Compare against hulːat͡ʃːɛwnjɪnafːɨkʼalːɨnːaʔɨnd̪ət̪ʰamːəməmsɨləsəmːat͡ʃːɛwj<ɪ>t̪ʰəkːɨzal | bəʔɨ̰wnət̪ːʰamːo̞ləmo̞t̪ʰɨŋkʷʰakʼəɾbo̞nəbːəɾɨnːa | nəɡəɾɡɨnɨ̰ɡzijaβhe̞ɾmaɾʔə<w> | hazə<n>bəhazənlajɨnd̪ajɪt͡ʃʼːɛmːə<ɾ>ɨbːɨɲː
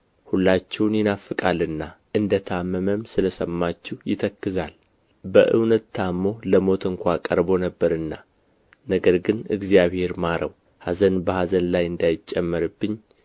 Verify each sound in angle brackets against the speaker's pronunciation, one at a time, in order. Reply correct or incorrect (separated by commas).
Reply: correct, correct, correct, correct